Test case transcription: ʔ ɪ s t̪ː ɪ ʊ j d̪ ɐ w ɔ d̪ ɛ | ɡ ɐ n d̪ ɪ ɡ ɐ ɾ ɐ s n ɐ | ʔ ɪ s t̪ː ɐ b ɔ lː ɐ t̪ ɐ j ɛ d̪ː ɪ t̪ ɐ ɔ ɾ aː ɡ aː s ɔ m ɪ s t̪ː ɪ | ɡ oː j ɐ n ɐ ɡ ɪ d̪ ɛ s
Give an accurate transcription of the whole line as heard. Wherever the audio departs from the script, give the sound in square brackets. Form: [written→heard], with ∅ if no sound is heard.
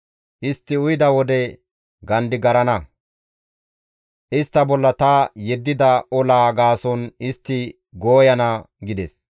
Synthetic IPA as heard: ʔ ɪ s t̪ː ɪ ʊ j d̪ ɐ w ɔ d̪ ɛ | ɡ ɐ n d̪ ɪ ɡ ɐ ɾ ɐ [s→∅] n ɐ | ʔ ɪ s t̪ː ɐ b ɔ lː ɐ t̪ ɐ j ɛ d̪ː ɪ [t̪→d̪] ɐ ɔ [ɾ→l] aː ɡ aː s ɔ [m→n] ɪ s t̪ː ɪ | ɡ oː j ɐ n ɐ ɡ ɪ d̪ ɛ s